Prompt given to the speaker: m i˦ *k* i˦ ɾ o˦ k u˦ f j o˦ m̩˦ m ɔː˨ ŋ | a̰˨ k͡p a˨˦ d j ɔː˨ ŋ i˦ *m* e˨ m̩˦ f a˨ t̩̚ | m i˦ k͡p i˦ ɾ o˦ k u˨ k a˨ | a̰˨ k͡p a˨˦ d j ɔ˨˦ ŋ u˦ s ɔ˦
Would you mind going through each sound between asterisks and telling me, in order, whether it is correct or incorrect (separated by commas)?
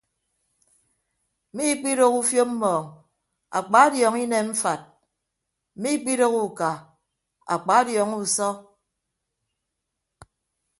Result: incorrect, incorrect